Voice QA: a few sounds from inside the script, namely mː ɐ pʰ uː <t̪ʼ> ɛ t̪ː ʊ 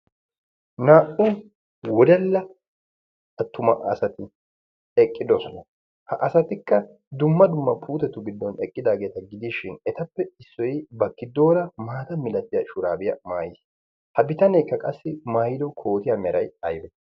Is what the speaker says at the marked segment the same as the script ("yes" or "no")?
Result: no